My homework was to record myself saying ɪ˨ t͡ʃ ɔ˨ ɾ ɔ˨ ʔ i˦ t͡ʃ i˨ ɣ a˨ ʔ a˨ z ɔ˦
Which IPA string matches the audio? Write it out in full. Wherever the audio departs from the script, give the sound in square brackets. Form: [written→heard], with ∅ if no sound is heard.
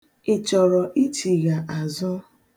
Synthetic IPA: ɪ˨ t͡ʃ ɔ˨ ɾ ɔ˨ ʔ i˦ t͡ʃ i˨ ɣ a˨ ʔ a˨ z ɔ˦